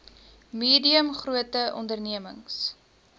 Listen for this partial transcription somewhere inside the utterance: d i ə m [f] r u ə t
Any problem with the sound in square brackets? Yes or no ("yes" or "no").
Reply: yes